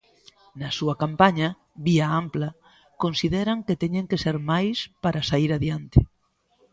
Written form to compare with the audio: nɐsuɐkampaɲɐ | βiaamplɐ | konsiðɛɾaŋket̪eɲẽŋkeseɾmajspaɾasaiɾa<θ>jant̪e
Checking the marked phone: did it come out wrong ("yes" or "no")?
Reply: yes